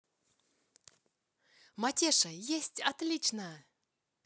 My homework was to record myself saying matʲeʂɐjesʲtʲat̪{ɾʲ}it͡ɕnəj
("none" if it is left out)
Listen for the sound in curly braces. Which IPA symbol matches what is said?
lʲ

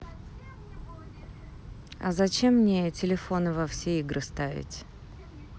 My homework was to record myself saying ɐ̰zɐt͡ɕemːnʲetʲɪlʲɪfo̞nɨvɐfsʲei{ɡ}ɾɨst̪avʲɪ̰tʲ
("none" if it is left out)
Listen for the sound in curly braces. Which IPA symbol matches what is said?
ɡ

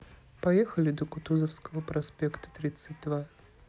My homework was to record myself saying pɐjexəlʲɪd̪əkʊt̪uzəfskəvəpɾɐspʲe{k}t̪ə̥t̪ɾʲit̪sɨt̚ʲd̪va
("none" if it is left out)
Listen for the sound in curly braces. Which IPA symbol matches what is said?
k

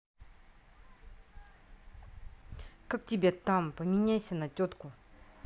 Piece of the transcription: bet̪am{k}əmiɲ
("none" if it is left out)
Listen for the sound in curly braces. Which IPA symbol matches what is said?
p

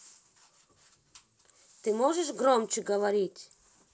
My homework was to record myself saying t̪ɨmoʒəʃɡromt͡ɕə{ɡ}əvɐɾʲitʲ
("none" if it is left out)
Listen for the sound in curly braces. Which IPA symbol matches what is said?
ɡ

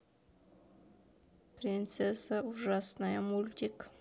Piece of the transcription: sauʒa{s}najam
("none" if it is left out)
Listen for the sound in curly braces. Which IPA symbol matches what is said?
s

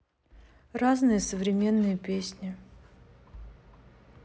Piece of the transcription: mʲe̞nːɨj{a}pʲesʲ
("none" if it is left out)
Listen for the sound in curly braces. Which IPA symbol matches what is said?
ə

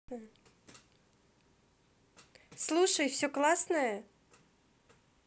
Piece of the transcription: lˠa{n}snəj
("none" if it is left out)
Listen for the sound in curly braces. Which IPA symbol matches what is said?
none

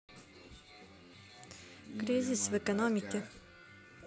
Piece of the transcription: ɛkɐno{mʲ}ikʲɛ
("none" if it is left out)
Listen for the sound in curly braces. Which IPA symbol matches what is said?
mʲ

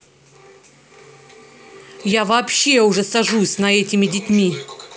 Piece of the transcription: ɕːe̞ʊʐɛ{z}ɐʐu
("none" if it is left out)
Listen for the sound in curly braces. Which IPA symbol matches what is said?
s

